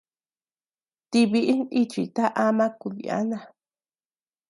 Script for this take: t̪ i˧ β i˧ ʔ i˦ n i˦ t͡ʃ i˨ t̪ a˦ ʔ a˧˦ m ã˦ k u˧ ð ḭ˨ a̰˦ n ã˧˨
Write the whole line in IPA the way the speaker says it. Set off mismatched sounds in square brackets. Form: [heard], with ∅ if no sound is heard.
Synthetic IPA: t̪ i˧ β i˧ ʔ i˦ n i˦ t͡ʃ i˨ t̪ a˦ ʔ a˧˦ m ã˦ k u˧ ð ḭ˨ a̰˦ n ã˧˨